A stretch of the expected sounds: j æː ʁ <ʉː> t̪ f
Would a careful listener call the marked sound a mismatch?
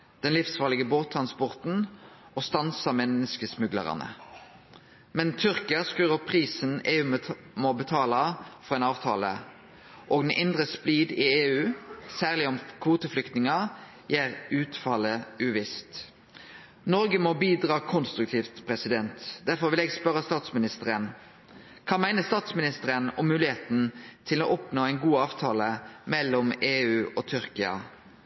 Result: no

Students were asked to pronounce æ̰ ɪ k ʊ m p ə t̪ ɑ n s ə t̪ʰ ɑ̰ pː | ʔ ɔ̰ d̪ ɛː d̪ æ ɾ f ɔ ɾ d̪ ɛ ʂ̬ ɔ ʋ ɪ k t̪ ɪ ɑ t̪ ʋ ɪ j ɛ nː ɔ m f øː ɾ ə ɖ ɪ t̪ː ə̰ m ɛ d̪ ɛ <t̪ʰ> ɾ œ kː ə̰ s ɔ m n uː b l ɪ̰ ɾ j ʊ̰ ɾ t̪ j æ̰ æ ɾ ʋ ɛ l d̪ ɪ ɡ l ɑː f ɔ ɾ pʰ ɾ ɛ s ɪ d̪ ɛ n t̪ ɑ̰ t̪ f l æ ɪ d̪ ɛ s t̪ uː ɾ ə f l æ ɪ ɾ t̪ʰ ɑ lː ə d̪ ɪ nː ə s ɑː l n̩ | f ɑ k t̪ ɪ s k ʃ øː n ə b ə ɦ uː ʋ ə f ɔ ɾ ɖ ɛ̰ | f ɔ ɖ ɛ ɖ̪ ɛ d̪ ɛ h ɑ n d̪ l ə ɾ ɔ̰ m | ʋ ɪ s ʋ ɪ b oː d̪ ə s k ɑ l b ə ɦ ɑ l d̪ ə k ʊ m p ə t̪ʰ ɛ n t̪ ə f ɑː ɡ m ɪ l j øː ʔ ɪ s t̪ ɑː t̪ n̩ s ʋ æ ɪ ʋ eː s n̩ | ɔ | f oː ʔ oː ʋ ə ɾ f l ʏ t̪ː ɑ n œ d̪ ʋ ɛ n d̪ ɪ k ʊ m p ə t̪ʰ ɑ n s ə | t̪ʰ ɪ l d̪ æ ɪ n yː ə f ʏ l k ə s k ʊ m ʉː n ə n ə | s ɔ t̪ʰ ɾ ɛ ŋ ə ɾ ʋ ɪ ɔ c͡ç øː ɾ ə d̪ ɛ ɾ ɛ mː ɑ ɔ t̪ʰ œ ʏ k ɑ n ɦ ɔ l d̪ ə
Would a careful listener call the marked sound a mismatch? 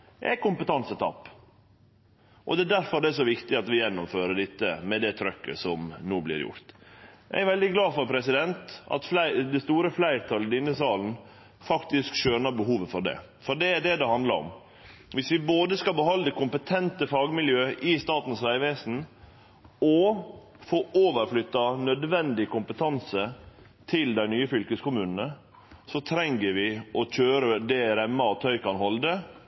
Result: no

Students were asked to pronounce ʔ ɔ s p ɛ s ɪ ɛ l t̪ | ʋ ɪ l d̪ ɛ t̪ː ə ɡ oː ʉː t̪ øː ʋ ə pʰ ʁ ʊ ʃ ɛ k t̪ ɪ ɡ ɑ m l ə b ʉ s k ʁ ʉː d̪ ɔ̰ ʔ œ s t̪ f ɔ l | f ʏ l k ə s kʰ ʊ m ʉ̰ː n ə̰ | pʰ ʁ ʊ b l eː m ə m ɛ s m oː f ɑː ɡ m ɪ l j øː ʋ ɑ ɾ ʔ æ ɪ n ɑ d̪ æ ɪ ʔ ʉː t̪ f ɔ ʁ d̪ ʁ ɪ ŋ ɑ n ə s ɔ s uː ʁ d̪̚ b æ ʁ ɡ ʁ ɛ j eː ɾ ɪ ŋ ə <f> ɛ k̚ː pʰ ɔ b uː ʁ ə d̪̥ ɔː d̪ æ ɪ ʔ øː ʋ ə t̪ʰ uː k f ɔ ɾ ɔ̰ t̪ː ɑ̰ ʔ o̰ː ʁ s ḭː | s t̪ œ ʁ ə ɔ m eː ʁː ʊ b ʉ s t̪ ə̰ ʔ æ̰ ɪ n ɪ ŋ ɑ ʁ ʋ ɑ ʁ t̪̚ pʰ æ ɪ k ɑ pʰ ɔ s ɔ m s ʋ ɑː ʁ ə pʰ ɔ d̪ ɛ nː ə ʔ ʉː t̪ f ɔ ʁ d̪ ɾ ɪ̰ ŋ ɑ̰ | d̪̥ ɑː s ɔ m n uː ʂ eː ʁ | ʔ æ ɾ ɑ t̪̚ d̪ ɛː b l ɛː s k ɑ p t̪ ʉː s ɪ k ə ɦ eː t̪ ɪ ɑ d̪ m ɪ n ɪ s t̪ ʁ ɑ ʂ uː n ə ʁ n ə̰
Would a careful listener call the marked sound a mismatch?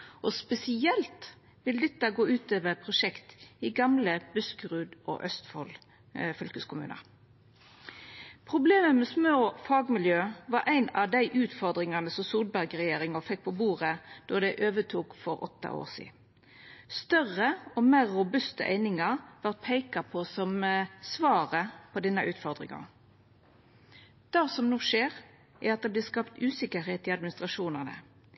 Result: no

